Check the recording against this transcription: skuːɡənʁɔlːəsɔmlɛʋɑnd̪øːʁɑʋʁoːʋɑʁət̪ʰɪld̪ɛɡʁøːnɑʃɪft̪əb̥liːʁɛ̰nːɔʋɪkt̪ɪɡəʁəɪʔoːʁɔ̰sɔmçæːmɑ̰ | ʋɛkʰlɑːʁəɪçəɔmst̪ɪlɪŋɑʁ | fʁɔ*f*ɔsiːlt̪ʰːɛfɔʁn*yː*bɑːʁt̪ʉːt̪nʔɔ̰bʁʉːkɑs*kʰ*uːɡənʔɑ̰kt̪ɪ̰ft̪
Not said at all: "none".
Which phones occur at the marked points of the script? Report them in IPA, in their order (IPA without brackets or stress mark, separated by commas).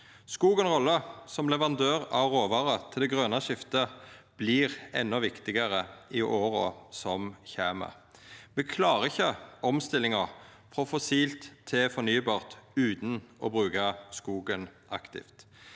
f, yː, k